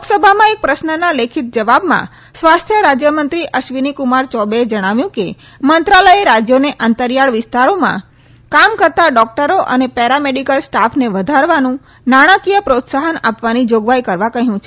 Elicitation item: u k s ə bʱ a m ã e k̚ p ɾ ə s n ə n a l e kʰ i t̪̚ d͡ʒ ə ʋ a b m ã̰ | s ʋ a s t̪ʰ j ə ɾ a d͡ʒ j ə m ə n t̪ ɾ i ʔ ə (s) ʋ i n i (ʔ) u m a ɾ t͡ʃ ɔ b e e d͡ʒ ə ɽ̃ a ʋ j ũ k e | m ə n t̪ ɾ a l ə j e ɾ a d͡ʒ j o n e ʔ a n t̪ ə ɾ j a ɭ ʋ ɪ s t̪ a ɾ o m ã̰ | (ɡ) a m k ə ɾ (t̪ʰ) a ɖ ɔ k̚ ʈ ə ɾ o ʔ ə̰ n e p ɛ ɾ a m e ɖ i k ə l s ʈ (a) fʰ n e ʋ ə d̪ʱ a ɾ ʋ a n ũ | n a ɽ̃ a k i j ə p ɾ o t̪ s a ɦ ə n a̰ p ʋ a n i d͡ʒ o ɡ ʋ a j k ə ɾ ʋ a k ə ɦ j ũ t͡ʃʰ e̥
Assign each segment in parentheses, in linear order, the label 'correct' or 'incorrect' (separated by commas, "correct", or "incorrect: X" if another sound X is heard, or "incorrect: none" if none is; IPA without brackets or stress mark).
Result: incorrect: ʃ, incorrect: k, incorrect: k, incorrect: t̪, correct